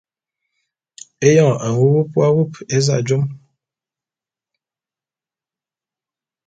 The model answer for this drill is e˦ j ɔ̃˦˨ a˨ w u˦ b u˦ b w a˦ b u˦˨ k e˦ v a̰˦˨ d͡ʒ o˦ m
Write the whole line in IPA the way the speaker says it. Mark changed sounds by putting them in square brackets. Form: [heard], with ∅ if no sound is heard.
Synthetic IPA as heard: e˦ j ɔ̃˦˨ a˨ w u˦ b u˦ [p] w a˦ [w] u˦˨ [p] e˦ [z] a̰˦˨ d͡ʒ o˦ m